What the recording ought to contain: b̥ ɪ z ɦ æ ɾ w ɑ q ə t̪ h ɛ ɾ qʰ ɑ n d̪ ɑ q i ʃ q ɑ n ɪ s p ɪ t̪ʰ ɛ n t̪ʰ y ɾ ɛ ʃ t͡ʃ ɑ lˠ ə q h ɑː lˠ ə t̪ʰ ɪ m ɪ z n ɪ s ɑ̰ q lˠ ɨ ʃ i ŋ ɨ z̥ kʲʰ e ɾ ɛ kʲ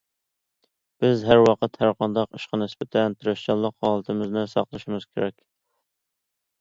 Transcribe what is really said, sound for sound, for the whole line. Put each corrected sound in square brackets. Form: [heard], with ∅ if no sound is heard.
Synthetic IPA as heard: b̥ ɪ z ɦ æ ɾ w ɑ q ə t̪ h [æ] ɾ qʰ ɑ n d̪ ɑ q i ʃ q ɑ n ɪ s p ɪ t̪ʰ ɛ n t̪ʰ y ɾ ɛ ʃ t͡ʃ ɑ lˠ ə q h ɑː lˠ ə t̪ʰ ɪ m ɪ z n ɪ s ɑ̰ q lˠ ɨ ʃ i [m] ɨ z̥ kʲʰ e ɾ ɛ kʲ